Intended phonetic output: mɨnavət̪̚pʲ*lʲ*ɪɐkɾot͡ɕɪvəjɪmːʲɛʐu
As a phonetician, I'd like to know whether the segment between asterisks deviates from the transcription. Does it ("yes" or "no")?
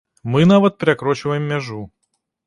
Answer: yes